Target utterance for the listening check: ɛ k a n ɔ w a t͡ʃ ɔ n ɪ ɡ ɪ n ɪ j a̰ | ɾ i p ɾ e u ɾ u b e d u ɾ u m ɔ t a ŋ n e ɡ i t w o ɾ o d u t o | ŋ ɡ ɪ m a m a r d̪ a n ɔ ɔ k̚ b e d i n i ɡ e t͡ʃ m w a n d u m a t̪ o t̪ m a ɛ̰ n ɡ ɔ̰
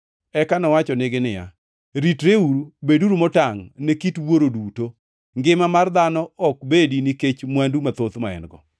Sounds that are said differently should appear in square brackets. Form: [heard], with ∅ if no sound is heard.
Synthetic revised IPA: ɛ k a n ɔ w a t͡ʃ ɔ n ɪ ɡ ɪ n ɪ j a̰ | ɾ i [t] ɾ e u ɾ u b e d u ɾ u m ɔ t a ŋ n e [k] i t w o ɾ o d u t o | ŋ ɡ ɪ m a m a r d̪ a n ɔ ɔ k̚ b e d i n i [k] e t͡ʃ m w a n d u m a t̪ o t̪ m a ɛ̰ n ɡ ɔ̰